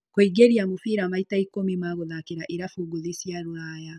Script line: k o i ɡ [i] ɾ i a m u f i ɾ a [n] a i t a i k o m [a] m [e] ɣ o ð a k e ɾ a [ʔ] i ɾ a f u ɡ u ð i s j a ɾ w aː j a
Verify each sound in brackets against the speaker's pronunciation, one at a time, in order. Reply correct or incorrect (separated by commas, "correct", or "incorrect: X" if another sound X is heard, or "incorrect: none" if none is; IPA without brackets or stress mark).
incorrect: e, incorrect: m, incorrect: i, incorrect: a, correct